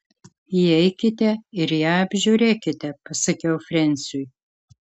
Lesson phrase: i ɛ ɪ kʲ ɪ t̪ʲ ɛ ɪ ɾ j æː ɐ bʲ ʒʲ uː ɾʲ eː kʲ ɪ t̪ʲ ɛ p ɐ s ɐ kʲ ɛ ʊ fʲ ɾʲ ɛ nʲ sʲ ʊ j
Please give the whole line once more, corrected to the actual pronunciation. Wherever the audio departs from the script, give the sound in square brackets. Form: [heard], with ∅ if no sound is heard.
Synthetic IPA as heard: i ɛ ɪ kʲ ɪ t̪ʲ ɛ ɪ ɾ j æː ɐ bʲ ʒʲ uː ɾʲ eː kʲ ɪ t̪ʲ ɛ p ɐ s ɐ kʲ ɛ ʊ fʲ ɾʲ ɛ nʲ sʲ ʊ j